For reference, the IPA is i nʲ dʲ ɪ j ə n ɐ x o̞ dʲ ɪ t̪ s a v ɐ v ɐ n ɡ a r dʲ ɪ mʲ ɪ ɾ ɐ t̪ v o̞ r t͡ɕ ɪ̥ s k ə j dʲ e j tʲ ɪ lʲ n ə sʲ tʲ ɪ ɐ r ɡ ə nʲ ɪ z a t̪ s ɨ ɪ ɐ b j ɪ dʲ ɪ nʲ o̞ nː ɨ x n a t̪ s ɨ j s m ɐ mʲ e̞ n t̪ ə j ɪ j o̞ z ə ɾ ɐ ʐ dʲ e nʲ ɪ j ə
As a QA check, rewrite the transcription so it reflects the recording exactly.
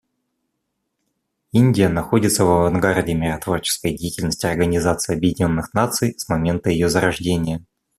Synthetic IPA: i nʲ dʲ ɪ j ə n ɐ x o̞ dʲ ɪ t̪ s ə v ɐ v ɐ n ɡ a r dʲ ɪ mʲ ɪ ɾ ɐ t̪ v o̞ r t͡ɕ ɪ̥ s k ə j dʲ e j tʲ ɪ lʲ n ə sʲ tʲ ɪ ɐ r ɡ ə nʲ ɪ z a t̪ s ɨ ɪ ɐ b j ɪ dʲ ɪ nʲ o̞ nː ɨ x n a t̪ s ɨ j s m ɐ mʲ e̞ n t̪ ə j ɪ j o̞ z ə ɾ ɐ ʐ dʲ e nʲ ɪ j ə